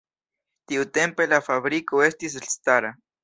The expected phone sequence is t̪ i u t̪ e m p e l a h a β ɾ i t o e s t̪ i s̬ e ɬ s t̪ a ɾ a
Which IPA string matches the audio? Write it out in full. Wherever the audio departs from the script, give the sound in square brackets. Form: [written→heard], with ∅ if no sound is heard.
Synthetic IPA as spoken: t̪ i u t̪ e m p e l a [h→f] a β ɾ i [t→k] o e s t̪ i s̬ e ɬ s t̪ a ɾ a